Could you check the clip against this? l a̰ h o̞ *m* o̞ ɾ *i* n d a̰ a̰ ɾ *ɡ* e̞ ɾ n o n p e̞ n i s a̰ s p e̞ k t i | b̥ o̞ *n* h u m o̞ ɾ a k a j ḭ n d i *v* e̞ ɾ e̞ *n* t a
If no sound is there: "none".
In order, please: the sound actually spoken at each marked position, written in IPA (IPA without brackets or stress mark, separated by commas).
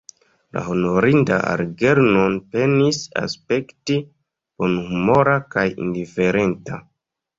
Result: n, i, ɡ, n, f, n